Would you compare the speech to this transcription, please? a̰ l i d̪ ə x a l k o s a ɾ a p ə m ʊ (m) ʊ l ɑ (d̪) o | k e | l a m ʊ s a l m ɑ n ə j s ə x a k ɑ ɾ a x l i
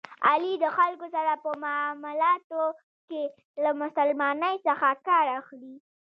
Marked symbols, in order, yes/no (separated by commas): yes, no